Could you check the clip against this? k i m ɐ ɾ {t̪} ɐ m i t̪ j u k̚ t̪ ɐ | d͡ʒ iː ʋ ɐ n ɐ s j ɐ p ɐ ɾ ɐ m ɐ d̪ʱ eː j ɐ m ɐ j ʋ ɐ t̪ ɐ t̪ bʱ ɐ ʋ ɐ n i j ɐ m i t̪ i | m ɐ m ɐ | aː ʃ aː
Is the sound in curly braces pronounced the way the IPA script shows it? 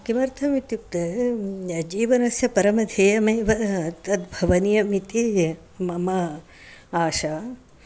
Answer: no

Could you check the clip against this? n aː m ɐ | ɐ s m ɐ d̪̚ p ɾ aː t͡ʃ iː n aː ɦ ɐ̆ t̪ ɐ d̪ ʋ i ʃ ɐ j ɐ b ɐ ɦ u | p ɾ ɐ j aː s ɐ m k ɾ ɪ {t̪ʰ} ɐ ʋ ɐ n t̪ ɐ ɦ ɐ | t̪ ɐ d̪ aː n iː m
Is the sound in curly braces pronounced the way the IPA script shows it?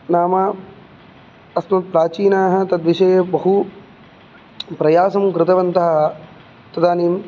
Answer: no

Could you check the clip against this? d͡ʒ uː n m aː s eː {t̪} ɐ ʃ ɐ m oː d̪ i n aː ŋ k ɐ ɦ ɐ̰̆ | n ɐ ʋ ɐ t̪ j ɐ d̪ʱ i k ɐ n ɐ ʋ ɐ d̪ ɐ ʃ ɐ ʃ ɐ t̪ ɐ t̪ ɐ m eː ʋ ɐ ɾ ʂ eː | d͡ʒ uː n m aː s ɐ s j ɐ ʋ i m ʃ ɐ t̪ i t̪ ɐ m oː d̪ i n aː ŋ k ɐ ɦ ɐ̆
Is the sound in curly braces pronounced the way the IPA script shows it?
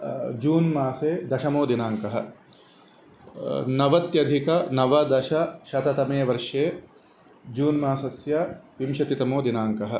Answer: no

